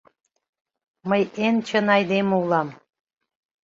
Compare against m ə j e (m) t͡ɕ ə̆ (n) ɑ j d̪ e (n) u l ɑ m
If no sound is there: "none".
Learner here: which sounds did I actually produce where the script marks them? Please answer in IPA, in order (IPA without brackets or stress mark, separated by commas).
n, n, m